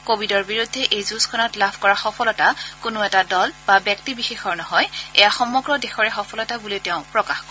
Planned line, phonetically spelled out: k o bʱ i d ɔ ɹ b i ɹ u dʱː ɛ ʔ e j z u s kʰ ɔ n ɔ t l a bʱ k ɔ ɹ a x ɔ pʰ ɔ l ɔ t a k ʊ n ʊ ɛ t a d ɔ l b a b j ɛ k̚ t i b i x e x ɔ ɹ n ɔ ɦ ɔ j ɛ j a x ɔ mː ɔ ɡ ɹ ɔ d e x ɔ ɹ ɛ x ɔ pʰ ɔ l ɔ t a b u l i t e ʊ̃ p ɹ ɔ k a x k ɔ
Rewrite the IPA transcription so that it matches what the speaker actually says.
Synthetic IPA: k o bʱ i d ɔ ɹ b i ɹ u dʱː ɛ ʔ e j z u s kʰ ɔ n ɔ t l a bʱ k ɔ ɹ a x ɔ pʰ ɔ l ɔ t a k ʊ n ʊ ɛ t a d ɔ l b a b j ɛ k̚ t i b i x e x ɔ ɹ n ɔ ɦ ɔ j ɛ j a x ɔ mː ɔ ɡ ɹ ɔ d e x ɔ ɹ ɛ x ɔ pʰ ɔ l ɔ t a b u l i t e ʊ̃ p ɹ ɔ k a x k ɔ